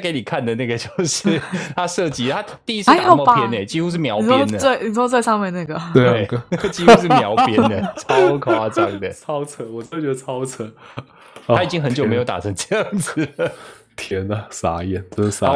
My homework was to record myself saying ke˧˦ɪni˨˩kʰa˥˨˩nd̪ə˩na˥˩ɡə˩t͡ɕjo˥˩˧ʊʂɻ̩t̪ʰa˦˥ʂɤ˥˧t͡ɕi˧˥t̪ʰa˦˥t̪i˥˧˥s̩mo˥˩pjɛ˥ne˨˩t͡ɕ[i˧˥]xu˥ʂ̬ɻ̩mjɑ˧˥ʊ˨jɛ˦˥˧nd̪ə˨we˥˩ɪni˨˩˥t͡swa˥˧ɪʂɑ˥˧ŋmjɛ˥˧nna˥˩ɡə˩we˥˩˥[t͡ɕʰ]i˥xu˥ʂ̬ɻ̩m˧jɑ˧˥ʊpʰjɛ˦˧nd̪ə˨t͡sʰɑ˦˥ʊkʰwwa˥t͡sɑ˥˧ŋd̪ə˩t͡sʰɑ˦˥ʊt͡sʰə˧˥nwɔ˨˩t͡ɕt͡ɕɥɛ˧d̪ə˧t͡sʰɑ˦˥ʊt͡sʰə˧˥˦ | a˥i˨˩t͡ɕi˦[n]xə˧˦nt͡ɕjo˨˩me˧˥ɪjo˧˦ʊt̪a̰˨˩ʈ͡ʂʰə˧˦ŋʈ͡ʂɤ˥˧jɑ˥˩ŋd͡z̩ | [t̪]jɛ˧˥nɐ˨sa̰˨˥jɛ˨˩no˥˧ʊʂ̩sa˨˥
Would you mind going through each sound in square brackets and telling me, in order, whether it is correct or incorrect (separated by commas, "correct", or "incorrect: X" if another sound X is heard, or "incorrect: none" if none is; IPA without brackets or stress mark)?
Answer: incorrect: i˥, incorrect: t͡ɕ, incorrect: ŋ, incorrect: t̪ʰ